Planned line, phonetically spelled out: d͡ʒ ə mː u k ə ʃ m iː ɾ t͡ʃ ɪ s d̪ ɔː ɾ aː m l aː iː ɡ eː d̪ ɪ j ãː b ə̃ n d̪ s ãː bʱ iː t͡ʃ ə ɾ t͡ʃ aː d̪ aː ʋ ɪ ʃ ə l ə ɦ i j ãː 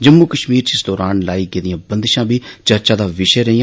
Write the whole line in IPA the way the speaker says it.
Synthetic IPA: d͡ʒ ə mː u k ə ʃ m iː ɾ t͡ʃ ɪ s d̪ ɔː ɾ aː n l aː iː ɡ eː d̪ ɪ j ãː b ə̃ n d̪ ʃ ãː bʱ iː t͡ʃ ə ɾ t͡ʃ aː d̪ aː ʋ ɪ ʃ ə ɾ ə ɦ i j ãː

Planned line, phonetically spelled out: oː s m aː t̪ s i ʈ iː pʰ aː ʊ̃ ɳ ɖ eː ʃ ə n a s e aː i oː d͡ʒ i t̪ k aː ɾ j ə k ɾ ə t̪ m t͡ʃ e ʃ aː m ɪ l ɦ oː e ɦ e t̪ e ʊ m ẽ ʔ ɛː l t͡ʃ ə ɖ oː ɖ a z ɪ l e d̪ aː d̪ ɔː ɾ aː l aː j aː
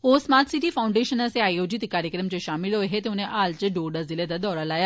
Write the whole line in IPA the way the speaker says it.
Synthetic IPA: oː s m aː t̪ s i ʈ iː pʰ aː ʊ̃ ɳ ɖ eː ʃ ə n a s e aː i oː d͡ʒ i t̪ k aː ɾ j ə k ɾ ə m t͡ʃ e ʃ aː m ɪ l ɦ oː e ɦ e t̪ e ʊ n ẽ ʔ aː l t͡ʃ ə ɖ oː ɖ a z ɪ l e d̪ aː d̪ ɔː ɾ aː l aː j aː

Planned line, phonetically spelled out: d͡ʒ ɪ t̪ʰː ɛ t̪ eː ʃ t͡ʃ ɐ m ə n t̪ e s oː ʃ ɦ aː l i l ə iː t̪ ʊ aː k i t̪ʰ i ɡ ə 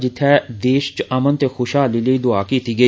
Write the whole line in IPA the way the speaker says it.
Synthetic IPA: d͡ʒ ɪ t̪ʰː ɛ d̪ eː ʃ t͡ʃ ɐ m ə n t̪ e x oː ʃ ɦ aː l i l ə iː d̪ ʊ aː k i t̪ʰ i ɡ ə

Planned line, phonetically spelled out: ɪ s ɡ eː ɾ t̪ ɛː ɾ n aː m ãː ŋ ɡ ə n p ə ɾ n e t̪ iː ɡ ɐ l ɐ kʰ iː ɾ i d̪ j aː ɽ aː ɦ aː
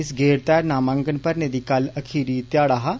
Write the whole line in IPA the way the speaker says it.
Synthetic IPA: ɪ s ɡ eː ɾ t̪ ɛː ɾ n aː m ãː ŋ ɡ ə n p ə ɾ n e d̪ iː k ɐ l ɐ kʰ iː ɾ i t̪ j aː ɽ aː ɦ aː

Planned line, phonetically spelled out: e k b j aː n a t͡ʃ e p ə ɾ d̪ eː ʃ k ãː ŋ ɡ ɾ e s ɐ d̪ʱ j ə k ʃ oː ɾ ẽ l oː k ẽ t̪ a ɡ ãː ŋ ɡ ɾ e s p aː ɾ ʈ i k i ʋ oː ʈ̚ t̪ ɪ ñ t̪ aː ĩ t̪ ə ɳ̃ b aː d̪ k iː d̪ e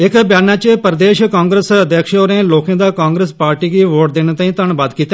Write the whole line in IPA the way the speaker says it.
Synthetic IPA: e k b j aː n a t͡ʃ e p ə ɾ d̪ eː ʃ k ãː ŋ ɡ ɾ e s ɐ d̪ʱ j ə k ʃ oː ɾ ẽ l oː k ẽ d̪ a k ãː ŋ ɡ ɾ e s p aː ɾ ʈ i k i ʋ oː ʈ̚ d̪ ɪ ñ t̪ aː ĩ t̪ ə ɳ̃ b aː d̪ k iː t̪ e

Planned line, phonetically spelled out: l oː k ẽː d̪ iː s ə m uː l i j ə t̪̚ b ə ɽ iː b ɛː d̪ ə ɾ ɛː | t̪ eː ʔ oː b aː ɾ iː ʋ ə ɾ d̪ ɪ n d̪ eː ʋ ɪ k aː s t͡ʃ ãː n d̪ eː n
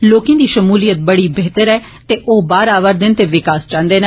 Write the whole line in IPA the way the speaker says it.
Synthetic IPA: l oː k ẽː d̪ iː ʃ ə m uː l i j ə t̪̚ b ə ɽ iː b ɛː t̪ ə ɾ ɛː | t̪ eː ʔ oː b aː ɾ aː ʋ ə ɾ d̪ ɪ n t̪ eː ʋ ɪ k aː s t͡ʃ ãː n d̪ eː n

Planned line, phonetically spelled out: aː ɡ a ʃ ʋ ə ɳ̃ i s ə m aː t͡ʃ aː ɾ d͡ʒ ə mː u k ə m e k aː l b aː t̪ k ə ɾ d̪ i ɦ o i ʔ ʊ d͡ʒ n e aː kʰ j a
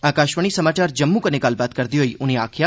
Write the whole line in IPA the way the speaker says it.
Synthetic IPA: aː k a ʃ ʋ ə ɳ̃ i s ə m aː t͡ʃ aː ɾ d͡ʒ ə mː u k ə n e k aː l b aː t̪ k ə ɾ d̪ i ɦ o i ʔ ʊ n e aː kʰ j a

